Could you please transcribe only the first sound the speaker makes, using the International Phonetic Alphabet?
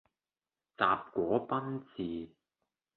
t͡s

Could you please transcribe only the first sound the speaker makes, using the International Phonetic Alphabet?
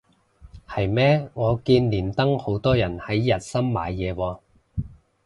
h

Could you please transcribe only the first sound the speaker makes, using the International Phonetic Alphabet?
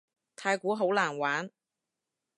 t̪ʰ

